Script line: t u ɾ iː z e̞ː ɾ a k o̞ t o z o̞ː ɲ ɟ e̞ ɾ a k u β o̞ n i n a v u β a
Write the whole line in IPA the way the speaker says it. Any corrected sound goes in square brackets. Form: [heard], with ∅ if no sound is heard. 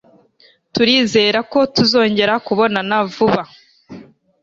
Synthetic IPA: t u ɾ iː z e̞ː ɾ a k o̞ t [u] z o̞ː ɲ ɟ e̞ ɾ a k u β o̞ n [a] n a v u β a